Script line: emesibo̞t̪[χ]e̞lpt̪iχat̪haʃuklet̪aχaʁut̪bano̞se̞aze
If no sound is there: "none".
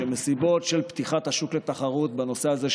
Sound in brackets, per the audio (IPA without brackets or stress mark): ʃ